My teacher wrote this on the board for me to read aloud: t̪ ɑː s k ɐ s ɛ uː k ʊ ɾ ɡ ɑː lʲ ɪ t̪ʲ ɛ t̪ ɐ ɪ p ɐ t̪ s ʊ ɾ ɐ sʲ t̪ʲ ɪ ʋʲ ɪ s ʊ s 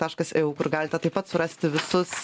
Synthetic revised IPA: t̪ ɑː ʃ k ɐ s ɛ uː k ʊ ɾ ɡ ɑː lʲ ɪ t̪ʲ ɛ t̪ ɐ ɪ p ɐ t̪ s ʊ ɾ ɐ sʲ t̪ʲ ɪ ʋʲ ɪ s ʊ s